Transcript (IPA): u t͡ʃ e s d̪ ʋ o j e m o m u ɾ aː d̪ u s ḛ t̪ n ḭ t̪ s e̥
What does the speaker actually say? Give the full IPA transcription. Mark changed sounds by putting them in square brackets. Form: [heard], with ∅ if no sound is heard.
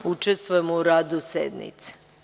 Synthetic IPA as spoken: u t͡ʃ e s [t̪] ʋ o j e m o [∅] u ɾ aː d̪ u s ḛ [d̪] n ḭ t̪ s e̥